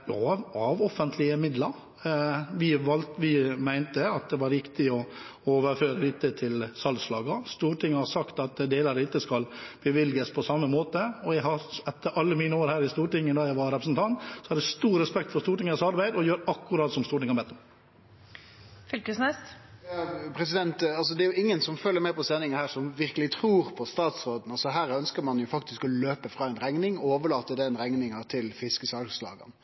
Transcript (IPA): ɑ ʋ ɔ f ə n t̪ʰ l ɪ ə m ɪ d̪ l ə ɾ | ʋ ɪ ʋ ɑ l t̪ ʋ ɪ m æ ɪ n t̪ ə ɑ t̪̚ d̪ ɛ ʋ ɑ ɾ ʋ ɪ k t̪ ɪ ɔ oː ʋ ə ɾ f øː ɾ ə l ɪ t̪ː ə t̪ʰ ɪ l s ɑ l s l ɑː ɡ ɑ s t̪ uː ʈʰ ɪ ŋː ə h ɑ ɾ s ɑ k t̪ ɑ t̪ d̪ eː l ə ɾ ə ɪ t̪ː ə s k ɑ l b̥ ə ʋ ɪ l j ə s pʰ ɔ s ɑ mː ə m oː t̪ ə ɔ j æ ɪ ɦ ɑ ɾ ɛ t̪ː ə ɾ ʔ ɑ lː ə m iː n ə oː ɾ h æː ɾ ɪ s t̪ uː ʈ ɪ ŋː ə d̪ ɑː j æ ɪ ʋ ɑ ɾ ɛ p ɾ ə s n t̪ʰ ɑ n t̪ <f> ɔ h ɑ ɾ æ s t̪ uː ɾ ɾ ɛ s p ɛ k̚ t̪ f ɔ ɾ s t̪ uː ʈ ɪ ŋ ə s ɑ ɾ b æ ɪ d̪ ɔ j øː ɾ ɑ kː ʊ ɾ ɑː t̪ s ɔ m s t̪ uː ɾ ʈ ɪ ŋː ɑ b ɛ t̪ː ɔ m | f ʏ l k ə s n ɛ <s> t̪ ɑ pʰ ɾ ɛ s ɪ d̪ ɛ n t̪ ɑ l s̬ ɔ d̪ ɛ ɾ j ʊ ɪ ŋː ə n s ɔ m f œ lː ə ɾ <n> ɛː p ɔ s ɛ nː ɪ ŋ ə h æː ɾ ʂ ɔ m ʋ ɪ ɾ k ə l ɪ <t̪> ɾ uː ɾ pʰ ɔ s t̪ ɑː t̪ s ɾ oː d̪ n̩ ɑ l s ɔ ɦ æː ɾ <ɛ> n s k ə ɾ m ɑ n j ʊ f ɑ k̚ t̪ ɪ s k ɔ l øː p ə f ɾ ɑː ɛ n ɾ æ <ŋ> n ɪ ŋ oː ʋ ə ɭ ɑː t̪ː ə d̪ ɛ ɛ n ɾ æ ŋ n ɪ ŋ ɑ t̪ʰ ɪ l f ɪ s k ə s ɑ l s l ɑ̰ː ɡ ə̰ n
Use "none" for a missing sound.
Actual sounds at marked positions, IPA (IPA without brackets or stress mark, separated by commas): s, s, m, t̪ʰ, œ, ŋ